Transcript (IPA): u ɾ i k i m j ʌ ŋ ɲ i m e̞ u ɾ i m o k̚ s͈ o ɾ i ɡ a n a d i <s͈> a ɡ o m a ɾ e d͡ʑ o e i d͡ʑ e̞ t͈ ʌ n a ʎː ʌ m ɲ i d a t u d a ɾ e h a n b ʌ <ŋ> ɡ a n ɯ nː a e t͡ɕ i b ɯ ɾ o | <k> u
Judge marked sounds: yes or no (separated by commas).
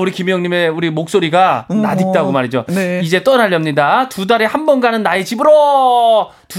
no, no, no